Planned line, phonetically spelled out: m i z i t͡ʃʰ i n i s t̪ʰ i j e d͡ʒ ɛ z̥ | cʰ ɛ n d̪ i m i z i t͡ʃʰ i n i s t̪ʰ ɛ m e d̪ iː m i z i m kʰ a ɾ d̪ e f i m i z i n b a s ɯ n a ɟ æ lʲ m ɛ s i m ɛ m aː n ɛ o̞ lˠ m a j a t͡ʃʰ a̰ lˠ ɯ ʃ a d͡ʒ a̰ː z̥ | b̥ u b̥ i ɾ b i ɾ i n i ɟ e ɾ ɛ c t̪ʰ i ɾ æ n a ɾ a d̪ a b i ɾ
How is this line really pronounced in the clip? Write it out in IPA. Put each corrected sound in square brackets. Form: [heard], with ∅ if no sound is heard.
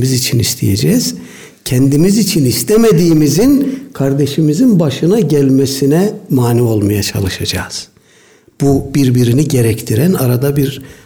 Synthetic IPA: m i z i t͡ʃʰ i n i s t̪ʰ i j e d͡ʒ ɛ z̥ | cʰ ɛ n d̪ i m i z i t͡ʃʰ i n i s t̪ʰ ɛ m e d̪ iː m i z i [n] kʰ a ɾ d̪ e [ʃ] i m i z i n b a [ʃ] ɯ n a ɟ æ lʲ m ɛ s i [n] ɛ m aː n [i] o̞ lˠ m a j a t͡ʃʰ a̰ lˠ ɯ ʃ a d͡ʒ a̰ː z̥ | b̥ u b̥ i ɾ b i ɾ i n i ɟ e ɾ ɛ c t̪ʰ i ɾ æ n a ɾ a d̪ a b i ɾ